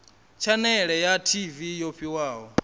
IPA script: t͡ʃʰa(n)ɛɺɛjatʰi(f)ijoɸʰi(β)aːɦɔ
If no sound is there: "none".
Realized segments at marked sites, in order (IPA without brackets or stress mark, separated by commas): n, v, w